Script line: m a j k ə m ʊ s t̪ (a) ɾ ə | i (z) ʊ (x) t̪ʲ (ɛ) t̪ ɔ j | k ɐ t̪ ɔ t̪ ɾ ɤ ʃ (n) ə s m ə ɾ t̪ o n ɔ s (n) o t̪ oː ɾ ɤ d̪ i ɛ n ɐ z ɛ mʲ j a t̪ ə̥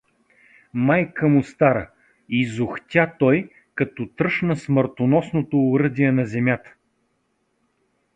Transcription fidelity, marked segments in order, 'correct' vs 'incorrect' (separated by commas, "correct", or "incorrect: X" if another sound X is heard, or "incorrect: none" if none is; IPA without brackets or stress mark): correct, correct, correct, incorrect: a, correct, correct